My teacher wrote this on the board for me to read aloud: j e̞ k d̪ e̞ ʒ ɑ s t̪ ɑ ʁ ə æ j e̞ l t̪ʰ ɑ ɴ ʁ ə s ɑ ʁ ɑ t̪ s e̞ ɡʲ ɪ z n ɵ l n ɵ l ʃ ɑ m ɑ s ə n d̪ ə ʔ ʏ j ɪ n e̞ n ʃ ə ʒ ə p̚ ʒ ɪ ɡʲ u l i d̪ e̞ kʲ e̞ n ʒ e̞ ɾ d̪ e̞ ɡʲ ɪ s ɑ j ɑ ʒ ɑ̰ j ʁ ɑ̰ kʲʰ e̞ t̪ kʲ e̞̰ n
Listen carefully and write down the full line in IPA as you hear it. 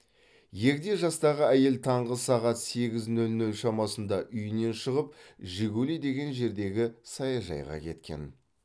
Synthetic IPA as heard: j e̞ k d̪ e̞ ʒ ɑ s t̪ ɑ ʁ ə æ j e̞ l t̪ʰ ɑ ɴ ʁ ə s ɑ ʁ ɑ t̪ s e̞ ɡʲ ɪ z n ɵ l n ɵ l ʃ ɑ m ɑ s ə n d̪ ɑ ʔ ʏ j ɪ n e̞ n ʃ ə ʁ ə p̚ ʒ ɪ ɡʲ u l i d̪ e̞ ɡʲ e̞ n ʒ e̞ ɾ d̪ e̞ ɡʲ ɪ s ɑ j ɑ ʒ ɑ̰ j ʁ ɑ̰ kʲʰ e̞ t̪ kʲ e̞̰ n